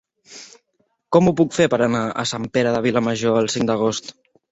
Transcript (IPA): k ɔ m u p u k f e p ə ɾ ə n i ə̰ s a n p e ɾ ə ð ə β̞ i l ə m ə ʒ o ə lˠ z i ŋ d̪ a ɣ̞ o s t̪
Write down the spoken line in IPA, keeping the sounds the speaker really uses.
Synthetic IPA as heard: k ɔ m u p u k f e p ə ɾ ə n a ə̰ s a m p e ɾ ə ð ə β̞ i l ə m ə ʒ o ə lˠ s i ŋ d̪ ə ɣ̞ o s t̪

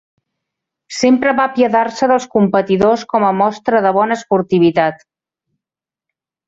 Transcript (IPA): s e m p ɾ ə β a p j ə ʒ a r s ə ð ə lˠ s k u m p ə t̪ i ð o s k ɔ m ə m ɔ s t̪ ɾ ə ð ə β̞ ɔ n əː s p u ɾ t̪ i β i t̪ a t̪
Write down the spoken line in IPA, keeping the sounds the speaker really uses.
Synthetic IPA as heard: s e m p ɾ ə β a p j ə ð a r s ə ð ə lˠ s k u m p ə t̪ i ð o s k ɔ m ə m ɔ s t̪ ɾ ə ð ə β̞ ɔ n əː s p u ɾ t̪ i β i t̪ a t̪

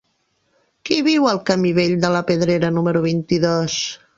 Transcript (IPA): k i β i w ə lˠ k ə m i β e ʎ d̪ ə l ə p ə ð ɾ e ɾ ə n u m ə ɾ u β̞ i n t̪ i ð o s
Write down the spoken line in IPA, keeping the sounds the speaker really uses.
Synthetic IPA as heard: k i β i w ə lˠ k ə m i β e ʎ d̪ ə l ə p ə ð ɾ e ɾ ə n u m ə ɾ u β̞ i n t̪ i ð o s

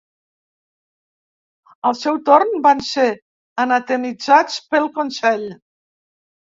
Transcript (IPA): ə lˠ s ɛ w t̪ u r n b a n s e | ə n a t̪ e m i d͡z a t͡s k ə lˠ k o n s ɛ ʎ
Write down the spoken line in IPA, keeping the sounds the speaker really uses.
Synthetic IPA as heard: ə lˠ s ɛ w t̪ o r n b a n s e | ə n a t̪ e m i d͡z a t͡s p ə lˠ k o n s ɛ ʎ

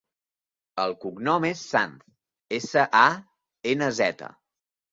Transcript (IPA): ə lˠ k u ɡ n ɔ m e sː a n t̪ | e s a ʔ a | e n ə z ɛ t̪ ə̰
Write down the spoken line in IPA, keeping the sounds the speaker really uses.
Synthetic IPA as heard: ə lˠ k u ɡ n ɔ m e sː a n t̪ | e s ə ʔ a | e n ə z ɛ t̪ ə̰

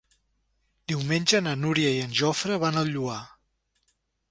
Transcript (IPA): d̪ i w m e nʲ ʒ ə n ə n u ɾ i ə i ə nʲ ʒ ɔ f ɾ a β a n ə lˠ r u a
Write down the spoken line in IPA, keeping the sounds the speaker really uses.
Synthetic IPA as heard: d̪ i w m e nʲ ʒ ə n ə n u ɾ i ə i ə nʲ ʒ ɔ f ɾ ə β a n ə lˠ ʎ u a

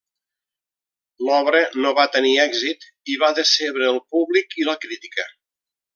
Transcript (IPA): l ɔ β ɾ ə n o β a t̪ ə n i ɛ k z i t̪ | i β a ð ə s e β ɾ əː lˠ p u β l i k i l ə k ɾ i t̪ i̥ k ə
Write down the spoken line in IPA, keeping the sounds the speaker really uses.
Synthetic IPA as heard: l ɔ β ɾ ə n o β a t̪ ə n i ɛ ɡ z i t̪ | i β a ð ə s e β ɾ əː lˠ p u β l i k i l ə k ɾ i t̪ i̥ k ə

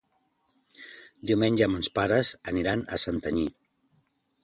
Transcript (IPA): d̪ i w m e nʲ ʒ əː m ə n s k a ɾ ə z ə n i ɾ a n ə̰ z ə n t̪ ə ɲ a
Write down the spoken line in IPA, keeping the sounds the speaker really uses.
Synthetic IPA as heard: d̪ i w m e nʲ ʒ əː m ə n s p a ɾ ə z ə n i ɾ a n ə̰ s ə n t̪ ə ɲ i

